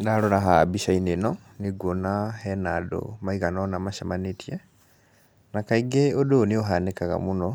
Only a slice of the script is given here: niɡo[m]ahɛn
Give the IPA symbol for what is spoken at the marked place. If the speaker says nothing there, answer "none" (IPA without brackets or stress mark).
n